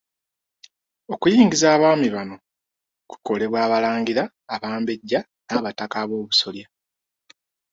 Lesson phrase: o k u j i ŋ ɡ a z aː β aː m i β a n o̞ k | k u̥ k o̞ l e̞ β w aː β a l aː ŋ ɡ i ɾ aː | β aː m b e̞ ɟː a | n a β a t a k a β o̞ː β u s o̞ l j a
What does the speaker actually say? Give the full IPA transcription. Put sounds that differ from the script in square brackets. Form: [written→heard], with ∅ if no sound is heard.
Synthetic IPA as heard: o k u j [i→iː] ŋ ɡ [a→i] z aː β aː m i β a n o̞ [k→∅] | k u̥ k o̞ l e̞ β w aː β a l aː ŋ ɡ i ɾ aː | β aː m b e̞ ɟː a | n a β a t a k a β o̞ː β u s o̞ l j a